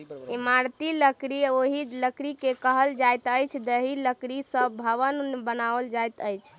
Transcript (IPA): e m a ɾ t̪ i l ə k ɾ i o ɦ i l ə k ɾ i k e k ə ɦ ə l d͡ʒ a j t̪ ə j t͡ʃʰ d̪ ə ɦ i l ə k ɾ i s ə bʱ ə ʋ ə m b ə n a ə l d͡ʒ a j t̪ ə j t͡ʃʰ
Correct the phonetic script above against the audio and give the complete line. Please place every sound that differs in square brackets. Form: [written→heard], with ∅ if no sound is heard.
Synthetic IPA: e m a ɾ t̪ i l ə k ɾ i o ɦ i l ə k ɾ i k e k ə ɦ ə l d͡ʒ a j t̪ ə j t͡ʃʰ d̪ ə ɦ i l ə k ɾ i s ə bʱ ə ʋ ə [m→n] b ə n a ə l d͡ʒ a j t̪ ə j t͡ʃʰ